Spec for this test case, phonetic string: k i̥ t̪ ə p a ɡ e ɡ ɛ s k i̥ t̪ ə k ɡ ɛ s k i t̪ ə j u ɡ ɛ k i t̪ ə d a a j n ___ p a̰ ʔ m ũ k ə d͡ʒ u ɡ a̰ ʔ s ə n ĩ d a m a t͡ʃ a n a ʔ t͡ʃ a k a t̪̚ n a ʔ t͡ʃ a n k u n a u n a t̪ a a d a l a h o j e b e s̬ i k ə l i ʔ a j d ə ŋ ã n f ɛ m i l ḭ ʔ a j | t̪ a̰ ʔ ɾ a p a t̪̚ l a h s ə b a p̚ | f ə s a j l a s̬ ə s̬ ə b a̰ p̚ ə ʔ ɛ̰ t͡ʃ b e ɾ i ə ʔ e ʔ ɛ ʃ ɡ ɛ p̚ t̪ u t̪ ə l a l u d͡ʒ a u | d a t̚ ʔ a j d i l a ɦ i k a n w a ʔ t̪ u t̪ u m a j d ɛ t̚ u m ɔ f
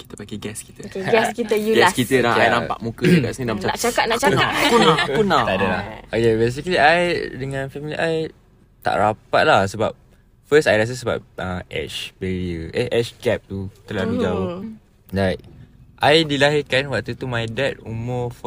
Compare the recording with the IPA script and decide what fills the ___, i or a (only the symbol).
a